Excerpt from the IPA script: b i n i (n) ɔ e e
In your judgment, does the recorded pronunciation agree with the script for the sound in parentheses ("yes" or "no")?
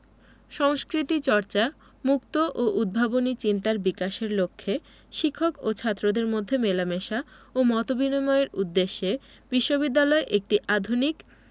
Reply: no